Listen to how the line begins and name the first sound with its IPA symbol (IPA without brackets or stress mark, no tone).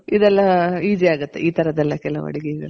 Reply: i